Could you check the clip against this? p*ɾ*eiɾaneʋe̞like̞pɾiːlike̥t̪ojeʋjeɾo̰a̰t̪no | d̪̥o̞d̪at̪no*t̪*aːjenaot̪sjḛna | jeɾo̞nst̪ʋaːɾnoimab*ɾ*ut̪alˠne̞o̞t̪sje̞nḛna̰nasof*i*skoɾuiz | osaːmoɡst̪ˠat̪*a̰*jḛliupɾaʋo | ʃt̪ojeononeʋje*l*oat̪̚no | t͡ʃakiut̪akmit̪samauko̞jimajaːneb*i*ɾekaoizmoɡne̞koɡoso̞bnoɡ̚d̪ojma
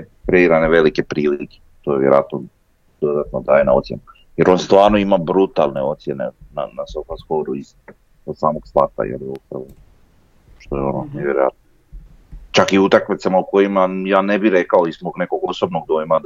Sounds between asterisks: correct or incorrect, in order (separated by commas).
correct, incorrect, correct, incorrect, correct, incorrect, correct